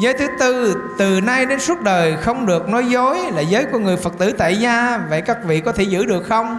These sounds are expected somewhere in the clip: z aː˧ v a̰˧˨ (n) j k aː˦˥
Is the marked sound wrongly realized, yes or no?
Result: yes